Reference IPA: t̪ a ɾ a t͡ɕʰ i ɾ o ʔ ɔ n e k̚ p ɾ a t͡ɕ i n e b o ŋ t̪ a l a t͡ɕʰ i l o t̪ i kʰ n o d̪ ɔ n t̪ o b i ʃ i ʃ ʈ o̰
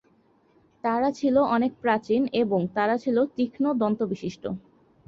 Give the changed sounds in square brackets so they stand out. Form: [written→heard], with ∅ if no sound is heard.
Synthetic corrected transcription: t̪ a ɾ a t͡ɕʰ i [ɾ→l] o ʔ ɔ n e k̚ p ɾ a t͡ɕ i n e b o ŋ t̪ a [l→ɾ] a t͡ɕʰ i l o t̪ i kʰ n o d̪ ɔ n t̪ o b i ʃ i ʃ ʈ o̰